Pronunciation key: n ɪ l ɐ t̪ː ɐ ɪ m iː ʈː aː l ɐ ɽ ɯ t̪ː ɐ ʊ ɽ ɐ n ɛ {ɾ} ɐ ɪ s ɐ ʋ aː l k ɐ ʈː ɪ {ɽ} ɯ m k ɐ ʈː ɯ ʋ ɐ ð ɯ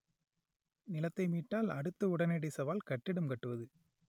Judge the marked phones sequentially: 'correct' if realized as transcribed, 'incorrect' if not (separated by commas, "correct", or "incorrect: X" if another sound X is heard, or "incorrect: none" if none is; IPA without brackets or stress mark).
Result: incorrect: ɽ, correct